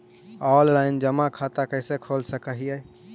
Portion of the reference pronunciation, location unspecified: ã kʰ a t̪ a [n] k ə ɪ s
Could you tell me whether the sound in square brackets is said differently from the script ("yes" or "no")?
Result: yes